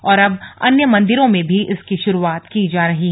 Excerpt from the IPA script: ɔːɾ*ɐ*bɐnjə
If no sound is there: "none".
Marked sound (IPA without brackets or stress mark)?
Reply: ɐ